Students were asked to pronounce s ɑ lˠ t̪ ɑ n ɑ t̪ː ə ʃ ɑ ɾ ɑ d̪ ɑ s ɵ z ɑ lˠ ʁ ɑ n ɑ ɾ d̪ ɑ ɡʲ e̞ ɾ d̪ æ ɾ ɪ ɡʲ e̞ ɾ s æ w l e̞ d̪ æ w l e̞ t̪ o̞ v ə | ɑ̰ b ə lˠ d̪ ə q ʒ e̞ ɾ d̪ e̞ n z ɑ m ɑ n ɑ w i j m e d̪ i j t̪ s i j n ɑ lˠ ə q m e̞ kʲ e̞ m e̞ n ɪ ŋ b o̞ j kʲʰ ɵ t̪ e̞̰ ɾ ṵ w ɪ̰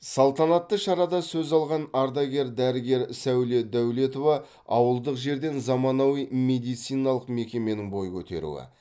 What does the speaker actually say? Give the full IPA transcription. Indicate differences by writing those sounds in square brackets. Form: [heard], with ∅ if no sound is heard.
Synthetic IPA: s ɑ lˠ t̪ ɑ n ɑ t̪ː ə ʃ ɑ ɾ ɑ d̪ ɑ s ɵ z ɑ lˠ ʁ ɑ n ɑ ɾ d̪ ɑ ɡʲ e̞ ɾ d̪ æ ɾ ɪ ɡʲ e̞ ɾ s æ w l e̞ d̪ æ w l e̞ t̪ o̞ v [ɑ] | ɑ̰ [w] ə lˠ d̪ ə q ʒ e̞ ɾ d̪ e̞ n z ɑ m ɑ n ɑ w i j m e d̪ i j t̪ s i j n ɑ lˠ ə q m e̞ kʲ e̞ m e̞ n ɪ ŋ b o̞ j kʲʰ ɵ t̪ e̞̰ ɾ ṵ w ɪ̰

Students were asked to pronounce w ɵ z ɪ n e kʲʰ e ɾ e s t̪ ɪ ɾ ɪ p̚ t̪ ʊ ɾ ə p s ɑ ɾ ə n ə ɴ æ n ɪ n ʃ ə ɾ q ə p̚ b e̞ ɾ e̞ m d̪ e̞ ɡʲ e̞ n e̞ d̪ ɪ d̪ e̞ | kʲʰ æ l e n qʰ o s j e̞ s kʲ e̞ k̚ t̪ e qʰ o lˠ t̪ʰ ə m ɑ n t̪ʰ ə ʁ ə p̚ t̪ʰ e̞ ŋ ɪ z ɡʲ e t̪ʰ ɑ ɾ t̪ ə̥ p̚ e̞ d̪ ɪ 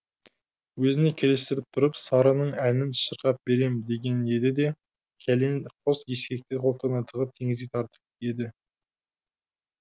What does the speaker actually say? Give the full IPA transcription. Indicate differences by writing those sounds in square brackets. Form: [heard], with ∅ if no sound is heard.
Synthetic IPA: w ɵ z ɪ n e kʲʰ e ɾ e s t̪ ɪ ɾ ɪ p̚ [t̪ʰ] ʊ ɾ ə p s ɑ ɾ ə n ə ɴ æ n ɪ n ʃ ə ɾ q [ɑ] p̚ b e̞ ɾ e̞ m d̪ e̞ ɡʲ e̞ n e̞ d̪ ɪ d̪ e̞ | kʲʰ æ l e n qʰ o s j e̞ s kʲ e̞ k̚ t̪ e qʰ o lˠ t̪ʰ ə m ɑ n t̪ʰ ə ʁ ə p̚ t̪ʰ e̞ ŋ ɪ z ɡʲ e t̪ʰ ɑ ɾ t̪ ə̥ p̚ e̞ d̪ ɪ

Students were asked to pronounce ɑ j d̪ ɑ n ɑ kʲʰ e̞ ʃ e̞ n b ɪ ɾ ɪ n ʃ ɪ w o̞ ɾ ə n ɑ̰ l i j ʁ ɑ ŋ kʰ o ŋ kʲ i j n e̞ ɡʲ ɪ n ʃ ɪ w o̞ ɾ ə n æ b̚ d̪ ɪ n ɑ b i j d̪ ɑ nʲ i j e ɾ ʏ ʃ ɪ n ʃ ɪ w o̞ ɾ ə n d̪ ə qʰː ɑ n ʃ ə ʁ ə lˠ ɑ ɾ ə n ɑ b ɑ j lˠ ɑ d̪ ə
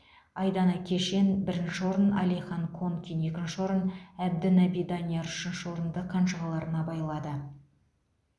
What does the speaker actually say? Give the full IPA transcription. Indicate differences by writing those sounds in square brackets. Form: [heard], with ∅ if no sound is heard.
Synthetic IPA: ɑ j d̪ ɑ n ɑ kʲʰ e̞ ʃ e̞ n b ɪ ɾ ɪ n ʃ ɪ w o̞ ɾ ə n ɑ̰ l i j [χ] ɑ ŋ kʰ o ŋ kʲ i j n e̞ [kʲ] ɪ n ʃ ɪ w o̞ ɾ ə n æ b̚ d̪ ɪ n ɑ b i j d̪ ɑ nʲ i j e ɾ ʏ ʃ ɪ n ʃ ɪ w o̞ ɾ ə n d̪ ə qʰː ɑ n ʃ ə ʁ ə lˠ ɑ ɾ ə n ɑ b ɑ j lˠ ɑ d̪ ə

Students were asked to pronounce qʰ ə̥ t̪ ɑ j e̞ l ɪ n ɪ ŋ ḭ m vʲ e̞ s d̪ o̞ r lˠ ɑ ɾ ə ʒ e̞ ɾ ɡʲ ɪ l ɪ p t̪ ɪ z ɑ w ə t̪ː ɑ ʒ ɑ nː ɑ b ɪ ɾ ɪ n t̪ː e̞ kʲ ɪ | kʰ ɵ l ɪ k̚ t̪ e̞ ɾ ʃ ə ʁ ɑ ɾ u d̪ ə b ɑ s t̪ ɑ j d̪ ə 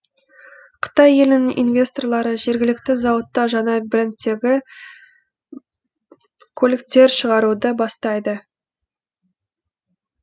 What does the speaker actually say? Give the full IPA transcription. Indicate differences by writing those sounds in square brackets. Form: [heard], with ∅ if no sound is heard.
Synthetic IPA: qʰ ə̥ t̪ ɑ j e̞ l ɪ n ɪ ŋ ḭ [n] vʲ e̞ s [t̪] o̞ r lˠ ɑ ɾ ə ʒ e̞ ɾ ɡʲ ɪ l ɪ [k] t̪ ɪ z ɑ w ə t̪ː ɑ ʒ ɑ [n] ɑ b ɪ ɾ ɪ n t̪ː e̞ [ɡʲ] ɪ | kʰ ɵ l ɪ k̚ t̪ e̞ ɾ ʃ ə ʁ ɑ ɾ u d̪ ə b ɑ s t̪ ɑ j d̪ ə

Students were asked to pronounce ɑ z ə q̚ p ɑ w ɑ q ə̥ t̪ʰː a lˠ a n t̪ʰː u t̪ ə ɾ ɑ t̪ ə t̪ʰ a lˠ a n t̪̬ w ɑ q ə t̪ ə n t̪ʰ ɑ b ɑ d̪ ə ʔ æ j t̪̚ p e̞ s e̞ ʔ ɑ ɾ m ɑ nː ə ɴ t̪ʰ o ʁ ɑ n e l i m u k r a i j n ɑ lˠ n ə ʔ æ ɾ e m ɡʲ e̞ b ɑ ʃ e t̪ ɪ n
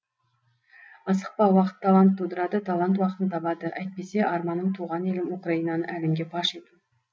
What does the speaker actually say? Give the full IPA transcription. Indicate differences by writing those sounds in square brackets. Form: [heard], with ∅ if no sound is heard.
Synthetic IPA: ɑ [s] ə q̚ p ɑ w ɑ q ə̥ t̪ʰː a lˠ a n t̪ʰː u [d̪] ə ɾ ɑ [d̪] ə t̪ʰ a lˠ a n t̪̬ w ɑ q ə t̪ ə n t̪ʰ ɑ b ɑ d̪ ə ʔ æ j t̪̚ p e̞ s e̞ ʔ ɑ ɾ m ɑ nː ə ɴ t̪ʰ [u] ʁ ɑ n e l [ɪ] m u k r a i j n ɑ [∅] n ə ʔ æ [l] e m ɡʲ e̞ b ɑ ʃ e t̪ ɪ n

